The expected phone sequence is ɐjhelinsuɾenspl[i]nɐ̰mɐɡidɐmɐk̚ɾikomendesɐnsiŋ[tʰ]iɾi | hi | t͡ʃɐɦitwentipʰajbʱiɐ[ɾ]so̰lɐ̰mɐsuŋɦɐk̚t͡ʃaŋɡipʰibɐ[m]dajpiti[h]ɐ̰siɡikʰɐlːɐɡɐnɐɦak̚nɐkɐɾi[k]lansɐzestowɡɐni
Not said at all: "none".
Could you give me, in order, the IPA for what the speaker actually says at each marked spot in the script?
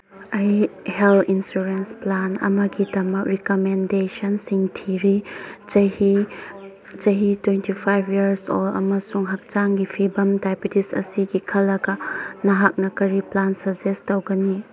a, tʰ, ɾ, m, s, p

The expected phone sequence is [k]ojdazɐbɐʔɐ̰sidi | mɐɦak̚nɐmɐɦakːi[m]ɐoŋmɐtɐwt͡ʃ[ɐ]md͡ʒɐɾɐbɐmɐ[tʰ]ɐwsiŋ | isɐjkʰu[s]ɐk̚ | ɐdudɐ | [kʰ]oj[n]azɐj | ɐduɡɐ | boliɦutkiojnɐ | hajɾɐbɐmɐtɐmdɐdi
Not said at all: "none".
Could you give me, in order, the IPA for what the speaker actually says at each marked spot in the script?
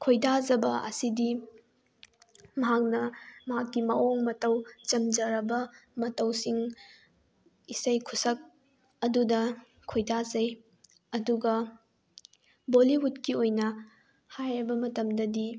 kʰ, m, ɐ, t, s, kʰ, d

